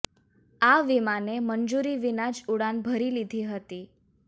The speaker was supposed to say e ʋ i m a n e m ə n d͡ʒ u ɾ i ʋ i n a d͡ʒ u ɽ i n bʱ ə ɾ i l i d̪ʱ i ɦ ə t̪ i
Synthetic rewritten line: a ʋ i m a n e m ə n d͡ʒ u ɾ i ʋ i n a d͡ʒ u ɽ a n bʱ ə ɾ i l i d̪ʱ i ɦ ə t̪ i